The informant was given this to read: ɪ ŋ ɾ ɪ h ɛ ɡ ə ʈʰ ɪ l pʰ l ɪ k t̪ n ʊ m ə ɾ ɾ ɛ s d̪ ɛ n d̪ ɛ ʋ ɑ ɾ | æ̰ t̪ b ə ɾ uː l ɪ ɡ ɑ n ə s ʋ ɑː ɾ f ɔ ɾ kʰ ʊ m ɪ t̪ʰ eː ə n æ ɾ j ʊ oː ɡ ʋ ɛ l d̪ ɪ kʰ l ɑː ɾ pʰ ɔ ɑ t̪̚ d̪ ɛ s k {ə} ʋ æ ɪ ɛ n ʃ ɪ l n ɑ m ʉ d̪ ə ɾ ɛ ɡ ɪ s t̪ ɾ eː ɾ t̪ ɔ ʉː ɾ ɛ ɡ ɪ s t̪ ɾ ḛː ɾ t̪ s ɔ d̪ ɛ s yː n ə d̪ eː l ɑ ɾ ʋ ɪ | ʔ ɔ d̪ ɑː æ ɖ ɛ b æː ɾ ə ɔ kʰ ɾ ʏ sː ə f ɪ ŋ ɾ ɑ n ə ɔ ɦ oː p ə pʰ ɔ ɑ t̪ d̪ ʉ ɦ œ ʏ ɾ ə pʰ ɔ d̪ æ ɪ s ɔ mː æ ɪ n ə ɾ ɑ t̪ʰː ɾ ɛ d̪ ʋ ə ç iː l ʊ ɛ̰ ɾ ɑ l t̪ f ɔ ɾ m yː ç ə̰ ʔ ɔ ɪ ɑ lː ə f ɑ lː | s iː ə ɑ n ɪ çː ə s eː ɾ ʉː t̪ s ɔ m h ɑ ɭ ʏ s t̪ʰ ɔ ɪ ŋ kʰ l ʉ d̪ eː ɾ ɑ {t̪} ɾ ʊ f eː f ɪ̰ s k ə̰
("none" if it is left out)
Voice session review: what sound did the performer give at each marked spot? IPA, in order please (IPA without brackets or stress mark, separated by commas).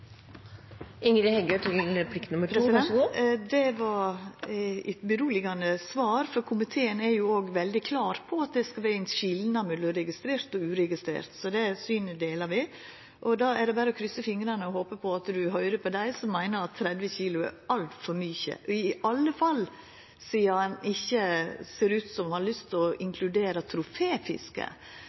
ɑ, t̪ʰ